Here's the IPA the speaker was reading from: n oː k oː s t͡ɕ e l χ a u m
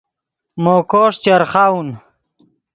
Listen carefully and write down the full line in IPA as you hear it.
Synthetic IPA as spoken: m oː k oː ʂ t͡ɕ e ɾ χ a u n